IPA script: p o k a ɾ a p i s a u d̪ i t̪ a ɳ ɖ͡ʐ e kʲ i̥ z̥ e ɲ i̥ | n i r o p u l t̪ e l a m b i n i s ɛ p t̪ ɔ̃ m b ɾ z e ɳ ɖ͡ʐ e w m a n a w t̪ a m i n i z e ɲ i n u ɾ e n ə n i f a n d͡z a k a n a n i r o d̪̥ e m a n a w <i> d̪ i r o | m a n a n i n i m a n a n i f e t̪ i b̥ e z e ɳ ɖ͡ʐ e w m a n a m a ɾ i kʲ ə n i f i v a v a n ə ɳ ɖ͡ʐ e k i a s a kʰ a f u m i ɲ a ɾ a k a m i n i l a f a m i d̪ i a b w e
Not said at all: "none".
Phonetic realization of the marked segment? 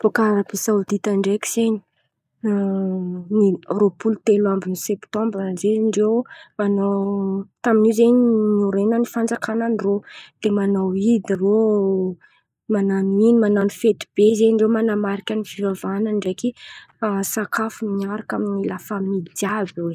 i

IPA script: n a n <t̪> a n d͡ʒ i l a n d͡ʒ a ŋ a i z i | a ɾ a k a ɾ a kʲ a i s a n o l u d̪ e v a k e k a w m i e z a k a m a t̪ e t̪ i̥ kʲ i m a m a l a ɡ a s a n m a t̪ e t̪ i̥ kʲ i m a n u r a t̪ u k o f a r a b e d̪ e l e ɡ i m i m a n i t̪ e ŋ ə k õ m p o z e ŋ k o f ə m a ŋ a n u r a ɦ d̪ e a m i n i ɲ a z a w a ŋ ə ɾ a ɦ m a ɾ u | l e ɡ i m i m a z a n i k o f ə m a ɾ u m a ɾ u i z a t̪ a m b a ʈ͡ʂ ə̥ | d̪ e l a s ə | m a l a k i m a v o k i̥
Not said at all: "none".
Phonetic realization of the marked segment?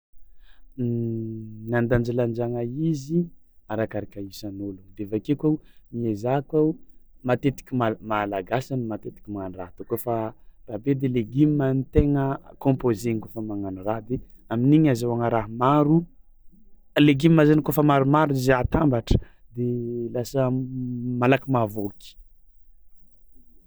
d̪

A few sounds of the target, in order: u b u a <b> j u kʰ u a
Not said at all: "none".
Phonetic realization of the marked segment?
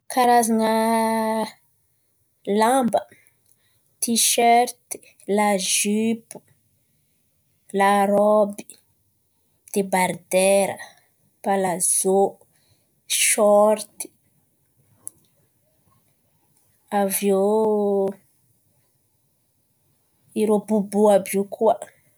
b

